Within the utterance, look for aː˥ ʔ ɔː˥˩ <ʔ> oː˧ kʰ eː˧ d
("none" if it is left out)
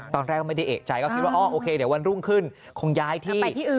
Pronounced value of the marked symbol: ʔ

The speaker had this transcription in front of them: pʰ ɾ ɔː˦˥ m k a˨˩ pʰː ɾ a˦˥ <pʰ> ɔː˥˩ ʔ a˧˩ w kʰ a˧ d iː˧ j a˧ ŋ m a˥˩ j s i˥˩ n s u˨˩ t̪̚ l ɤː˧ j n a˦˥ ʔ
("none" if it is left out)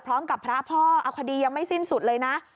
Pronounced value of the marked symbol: pʰ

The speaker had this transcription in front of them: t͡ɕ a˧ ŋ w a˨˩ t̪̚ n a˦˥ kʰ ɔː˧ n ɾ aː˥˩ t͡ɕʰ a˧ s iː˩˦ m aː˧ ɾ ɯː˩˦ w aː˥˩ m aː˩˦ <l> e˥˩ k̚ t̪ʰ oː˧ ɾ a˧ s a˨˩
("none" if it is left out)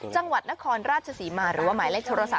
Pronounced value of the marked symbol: l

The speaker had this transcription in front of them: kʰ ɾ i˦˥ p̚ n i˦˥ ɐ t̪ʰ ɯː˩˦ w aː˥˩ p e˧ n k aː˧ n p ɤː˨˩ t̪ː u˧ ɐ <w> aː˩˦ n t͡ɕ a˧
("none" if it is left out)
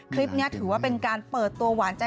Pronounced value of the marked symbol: w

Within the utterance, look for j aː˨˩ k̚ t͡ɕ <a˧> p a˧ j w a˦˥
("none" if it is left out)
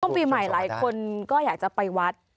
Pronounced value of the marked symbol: a˨˩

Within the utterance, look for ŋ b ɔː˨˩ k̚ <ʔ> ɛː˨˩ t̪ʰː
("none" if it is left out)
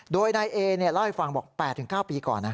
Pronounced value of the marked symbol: p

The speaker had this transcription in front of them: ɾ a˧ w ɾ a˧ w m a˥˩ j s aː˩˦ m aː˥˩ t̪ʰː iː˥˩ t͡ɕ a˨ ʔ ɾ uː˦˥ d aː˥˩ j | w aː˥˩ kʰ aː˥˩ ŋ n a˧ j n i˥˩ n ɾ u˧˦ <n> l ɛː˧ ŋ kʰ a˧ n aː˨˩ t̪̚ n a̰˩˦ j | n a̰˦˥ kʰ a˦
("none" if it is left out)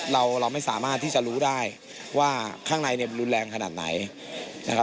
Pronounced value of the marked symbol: n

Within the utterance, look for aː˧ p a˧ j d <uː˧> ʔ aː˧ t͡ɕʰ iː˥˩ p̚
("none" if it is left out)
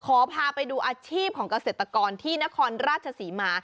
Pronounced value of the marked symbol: uː˧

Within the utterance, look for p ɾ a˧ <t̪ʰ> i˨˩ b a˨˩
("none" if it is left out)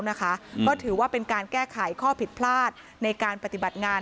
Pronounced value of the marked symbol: t̪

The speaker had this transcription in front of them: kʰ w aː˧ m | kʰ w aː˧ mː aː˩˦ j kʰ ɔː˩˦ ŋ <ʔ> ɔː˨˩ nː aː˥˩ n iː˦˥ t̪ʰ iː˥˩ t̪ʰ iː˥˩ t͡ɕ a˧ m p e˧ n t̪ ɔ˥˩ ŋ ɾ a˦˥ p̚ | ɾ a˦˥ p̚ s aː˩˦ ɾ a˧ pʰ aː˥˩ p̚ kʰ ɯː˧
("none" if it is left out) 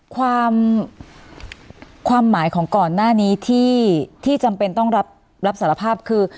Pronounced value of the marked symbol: k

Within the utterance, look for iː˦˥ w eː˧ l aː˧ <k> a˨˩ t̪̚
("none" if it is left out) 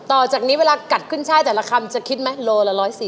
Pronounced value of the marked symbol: k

